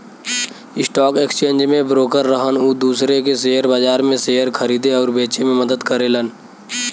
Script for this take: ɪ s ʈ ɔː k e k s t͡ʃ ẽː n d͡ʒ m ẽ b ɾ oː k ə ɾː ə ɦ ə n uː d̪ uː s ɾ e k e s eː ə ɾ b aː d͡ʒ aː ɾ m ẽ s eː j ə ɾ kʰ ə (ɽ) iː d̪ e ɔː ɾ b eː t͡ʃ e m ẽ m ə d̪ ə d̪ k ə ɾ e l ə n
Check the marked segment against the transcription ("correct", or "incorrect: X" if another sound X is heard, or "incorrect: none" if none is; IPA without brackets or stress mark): incorrect: ɾ